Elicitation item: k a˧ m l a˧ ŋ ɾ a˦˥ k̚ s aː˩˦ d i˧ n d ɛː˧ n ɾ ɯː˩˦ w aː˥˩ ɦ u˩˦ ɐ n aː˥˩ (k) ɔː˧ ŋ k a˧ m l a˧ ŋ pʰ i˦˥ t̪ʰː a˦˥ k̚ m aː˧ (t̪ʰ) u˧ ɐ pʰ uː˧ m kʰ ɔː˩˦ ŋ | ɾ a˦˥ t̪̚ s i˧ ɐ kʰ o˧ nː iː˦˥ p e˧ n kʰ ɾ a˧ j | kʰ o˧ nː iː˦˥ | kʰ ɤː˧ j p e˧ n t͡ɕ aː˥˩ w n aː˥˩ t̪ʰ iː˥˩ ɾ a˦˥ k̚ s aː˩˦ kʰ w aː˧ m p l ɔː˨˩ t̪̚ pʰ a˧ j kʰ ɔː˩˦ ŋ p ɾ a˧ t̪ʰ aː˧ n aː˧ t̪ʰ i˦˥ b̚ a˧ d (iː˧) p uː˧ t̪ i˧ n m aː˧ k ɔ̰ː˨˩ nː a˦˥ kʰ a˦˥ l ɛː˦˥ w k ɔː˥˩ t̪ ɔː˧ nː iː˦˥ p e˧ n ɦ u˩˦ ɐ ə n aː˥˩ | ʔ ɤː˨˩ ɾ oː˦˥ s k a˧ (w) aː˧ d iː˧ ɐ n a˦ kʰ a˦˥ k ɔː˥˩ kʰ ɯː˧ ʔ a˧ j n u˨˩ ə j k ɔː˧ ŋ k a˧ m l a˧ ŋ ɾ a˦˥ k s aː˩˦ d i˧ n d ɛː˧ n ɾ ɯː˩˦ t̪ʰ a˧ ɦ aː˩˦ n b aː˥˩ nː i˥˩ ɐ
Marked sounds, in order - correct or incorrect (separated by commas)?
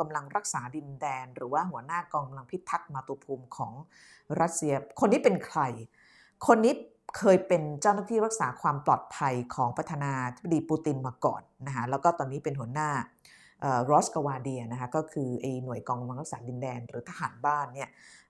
correct, incorrect, correct, correct